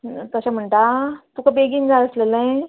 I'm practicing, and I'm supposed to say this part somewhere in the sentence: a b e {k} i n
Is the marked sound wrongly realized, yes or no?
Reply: yes